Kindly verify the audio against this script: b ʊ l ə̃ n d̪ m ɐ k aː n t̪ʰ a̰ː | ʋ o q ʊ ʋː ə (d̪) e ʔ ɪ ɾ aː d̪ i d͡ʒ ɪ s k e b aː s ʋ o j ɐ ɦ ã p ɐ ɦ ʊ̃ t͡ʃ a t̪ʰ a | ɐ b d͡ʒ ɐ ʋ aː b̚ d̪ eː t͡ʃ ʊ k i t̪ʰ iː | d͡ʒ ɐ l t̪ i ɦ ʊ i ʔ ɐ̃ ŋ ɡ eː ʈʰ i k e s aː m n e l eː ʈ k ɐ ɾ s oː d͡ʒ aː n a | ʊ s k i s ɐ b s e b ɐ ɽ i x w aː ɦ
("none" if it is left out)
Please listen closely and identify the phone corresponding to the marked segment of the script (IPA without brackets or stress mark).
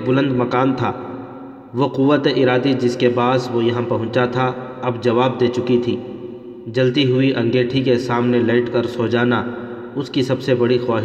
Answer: t̪